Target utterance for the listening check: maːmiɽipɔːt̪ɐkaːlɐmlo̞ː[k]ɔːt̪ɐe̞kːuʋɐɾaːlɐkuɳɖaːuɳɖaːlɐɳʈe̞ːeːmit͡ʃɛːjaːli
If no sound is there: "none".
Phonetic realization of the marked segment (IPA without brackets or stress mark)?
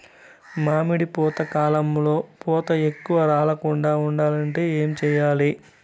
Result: p